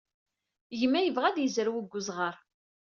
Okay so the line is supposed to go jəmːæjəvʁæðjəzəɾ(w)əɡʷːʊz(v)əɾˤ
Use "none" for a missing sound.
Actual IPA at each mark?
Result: w, ʁ

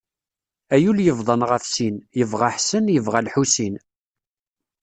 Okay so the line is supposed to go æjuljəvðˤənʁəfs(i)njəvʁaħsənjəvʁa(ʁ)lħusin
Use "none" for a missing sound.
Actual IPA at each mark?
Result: i, none

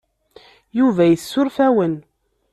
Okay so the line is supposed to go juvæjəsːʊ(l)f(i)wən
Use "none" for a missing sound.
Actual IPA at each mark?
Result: ɾ, æ

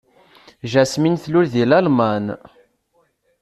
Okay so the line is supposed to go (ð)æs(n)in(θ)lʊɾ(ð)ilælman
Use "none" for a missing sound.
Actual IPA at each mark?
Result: ʒ, m, θ, ð

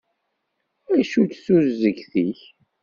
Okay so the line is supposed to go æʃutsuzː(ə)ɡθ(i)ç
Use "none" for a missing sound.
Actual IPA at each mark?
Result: ə, i

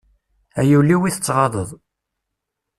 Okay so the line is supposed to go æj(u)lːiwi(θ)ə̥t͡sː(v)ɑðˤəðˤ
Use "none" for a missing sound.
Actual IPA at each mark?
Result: u, θ, ʁ

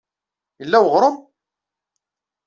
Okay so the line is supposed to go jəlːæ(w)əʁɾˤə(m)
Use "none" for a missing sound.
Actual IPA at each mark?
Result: w, m

